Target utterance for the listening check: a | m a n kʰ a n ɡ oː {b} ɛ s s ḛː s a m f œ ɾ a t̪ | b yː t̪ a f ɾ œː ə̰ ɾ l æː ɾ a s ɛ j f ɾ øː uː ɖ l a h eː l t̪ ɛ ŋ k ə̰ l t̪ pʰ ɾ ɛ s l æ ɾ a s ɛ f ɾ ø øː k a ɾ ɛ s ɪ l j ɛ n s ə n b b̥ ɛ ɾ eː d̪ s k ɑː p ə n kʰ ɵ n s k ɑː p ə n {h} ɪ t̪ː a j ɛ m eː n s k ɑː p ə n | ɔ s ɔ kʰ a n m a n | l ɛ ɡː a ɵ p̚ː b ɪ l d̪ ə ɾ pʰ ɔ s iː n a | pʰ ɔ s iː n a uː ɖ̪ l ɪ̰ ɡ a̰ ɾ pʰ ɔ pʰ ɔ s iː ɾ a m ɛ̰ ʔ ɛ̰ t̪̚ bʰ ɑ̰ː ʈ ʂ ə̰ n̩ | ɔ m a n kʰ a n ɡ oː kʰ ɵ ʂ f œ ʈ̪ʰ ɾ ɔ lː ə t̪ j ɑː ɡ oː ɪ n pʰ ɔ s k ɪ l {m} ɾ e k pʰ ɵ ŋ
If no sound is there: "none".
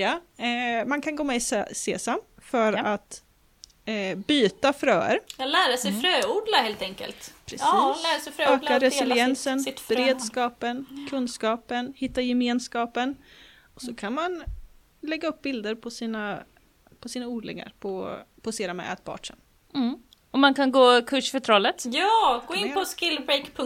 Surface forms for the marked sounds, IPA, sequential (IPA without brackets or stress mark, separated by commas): m, h, b